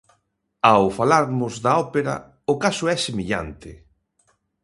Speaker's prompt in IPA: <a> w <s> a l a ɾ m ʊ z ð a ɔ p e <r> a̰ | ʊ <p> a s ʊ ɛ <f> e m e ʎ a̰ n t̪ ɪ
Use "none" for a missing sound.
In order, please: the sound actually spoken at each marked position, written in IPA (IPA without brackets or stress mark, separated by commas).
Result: a, f, ɾ, k, s